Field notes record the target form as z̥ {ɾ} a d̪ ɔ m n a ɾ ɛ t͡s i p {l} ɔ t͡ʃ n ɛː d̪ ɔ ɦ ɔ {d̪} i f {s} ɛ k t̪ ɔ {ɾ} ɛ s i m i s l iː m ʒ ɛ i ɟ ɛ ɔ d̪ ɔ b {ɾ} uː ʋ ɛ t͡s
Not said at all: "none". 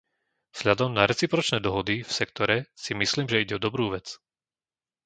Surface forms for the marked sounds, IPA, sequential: ʎ, ɾ, d̪, s, ɾ, ɾ

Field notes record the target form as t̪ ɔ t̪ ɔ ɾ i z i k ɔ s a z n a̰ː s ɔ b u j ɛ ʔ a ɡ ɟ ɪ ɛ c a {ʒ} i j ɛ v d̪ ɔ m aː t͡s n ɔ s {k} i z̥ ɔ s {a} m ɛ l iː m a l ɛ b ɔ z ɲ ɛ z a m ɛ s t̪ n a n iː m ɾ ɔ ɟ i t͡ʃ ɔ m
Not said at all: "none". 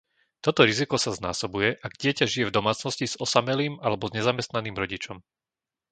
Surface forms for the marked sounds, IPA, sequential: ʒ, c, a

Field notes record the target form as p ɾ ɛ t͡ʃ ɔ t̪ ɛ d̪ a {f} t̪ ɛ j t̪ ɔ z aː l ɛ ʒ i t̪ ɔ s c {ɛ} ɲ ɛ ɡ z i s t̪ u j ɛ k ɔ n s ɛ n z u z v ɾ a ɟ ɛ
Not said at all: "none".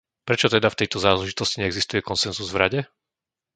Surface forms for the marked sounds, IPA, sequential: f, i

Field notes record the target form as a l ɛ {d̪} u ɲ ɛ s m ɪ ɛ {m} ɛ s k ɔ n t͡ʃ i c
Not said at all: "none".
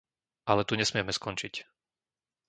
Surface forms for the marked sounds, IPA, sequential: t̪, m

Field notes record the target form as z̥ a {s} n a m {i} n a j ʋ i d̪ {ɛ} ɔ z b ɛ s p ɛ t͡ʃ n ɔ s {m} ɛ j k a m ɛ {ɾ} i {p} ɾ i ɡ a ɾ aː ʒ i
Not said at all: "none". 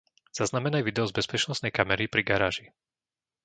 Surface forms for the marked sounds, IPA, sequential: z, ɛ, ɛ, n, ɾ, p

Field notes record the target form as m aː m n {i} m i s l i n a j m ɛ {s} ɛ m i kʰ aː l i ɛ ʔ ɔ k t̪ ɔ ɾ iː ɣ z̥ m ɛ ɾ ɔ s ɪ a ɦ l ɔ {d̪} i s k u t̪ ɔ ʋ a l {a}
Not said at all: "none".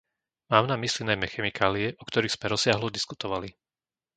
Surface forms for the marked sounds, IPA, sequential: a, x, d̪, i

